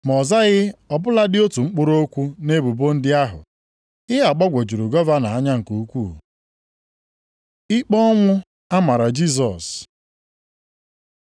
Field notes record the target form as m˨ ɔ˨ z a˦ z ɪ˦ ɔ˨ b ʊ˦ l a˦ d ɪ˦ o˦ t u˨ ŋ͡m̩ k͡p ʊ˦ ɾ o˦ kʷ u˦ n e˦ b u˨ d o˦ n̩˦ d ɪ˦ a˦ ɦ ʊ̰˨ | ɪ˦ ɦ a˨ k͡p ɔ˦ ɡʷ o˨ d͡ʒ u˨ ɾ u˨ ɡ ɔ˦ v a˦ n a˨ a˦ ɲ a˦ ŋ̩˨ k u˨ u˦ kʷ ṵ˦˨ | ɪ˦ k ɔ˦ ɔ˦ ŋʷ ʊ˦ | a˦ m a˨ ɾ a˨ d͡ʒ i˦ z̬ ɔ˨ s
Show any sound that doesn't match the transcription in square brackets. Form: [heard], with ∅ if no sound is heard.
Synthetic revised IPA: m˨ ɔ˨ z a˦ [ɣ] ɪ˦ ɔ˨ b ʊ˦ l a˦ d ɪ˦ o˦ t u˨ ŋ͡m̩ k͡p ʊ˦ ɾ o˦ kʷ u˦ n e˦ b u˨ [b] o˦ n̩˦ d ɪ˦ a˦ ɦ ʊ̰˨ | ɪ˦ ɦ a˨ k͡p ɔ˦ ɡʷ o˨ d͡ʒ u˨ ɾ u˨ ɡ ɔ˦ v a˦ n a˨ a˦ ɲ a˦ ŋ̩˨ k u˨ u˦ kʷ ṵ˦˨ | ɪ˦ [k͡p] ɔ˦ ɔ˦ ŋʷ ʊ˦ | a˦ m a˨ ɾ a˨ d͡ʒ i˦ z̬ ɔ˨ s

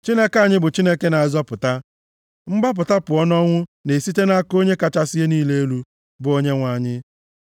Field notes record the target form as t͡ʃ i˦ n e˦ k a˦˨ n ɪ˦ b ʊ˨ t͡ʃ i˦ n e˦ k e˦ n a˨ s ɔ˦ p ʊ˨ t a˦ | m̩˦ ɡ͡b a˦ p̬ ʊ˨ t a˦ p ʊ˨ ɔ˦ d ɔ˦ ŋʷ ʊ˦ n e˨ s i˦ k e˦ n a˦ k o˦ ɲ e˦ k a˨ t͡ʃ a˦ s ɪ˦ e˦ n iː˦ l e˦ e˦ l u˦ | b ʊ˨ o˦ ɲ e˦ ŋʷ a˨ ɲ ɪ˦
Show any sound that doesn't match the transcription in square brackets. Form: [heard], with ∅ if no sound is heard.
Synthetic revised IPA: t͡ʃ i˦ n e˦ k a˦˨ [ɲ] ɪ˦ b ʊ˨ t͡ʃ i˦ n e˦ k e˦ n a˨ [z] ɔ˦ p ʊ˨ t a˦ | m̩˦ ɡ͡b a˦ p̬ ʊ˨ t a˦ p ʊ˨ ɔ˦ [n] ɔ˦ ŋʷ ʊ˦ n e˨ s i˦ [t] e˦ n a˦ k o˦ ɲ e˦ k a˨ t͡ʃ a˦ s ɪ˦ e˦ n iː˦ l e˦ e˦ l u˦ | b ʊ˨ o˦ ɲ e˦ ŋʷ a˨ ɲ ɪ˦

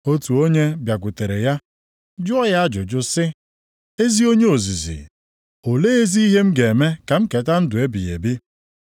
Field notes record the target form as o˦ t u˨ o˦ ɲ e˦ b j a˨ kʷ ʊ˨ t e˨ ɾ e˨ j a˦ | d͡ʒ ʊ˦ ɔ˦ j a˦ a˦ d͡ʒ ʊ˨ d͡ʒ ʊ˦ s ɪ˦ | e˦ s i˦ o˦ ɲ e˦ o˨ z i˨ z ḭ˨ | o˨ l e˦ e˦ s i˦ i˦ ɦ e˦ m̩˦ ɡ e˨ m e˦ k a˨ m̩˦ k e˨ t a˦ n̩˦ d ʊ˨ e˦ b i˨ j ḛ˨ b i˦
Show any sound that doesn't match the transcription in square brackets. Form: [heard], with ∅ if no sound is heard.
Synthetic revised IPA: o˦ t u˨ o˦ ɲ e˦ b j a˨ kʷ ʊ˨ t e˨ ɾ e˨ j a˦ | d͡ʒ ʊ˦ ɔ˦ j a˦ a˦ d͡ʒ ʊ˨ d͡ʒ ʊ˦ s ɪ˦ | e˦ [z] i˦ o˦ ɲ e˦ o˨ z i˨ z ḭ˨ | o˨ l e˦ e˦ [z] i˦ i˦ ɦ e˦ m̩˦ ɡ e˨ m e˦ k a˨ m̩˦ k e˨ t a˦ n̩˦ d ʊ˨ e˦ b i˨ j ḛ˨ b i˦

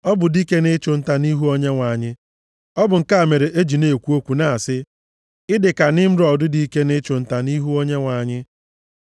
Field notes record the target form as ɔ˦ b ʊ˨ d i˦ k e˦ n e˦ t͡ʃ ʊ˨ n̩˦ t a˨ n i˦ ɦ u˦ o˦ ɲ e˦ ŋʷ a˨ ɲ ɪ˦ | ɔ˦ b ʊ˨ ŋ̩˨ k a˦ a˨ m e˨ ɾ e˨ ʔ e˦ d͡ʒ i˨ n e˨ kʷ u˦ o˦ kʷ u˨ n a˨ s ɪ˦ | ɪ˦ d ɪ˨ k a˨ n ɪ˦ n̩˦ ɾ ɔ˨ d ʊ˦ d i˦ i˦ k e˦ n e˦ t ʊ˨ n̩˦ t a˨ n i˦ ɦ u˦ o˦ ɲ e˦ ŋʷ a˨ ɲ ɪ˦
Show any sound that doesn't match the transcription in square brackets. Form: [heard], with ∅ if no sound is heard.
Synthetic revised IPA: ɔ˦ b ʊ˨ d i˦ k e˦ n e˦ t͡ʃ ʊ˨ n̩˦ t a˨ n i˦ ɦ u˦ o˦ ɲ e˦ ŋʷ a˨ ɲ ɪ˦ | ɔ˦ b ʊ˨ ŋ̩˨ k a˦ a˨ m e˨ ɾ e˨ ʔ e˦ d͡ʒ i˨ n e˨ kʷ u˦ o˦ kʷ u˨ n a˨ s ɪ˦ | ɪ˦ d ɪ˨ k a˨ n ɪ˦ [m̩˦] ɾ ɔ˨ d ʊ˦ d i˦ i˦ k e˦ n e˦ [t͡ʃ] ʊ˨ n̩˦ t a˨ n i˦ ɦ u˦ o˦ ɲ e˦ ŋʷ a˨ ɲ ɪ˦

